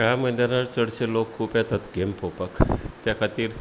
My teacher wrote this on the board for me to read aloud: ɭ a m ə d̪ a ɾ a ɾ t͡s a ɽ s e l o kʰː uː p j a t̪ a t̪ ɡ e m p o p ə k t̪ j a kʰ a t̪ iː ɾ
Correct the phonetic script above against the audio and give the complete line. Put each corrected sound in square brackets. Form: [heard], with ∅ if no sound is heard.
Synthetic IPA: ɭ a m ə d̪ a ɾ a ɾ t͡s [ə] ɽ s e l o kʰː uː p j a t̪ a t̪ ɡ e m p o p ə k t̪ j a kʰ a t̪ iː ɾ